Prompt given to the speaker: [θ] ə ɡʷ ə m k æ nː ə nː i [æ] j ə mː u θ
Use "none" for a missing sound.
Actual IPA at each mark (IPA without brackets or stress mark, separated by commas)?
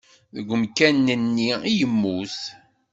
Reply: ð, i